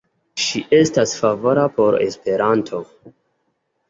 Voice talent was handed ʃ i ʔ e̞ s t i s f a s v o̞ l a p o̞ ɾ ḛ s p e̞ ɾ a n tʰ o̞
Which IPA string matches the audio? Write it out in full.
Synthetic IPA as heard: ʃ i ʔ e̞ s t a s f a v o̞ ɾ a p o̞ ɾ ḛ s p e̞ ɾ a n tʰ o̞